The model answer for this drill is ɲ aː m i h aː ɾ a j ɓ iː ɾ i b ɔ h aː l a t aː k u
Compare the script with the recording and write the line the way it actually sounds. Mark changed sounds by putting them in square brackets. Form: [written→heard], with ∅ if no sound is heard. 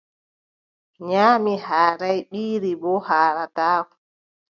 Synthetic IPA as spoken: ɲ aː m i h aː ɾ a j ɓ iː ɾ i b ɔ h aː [l→ɾ] a t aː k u